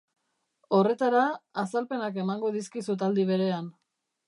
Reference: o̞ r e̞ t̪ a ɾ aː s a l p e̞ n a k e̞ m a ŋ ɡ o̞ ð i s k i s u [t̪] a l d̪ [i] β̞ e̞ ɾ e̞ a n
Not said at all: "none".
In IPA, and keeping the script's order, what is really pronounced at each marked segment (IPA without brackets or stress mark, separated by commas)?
t̪, i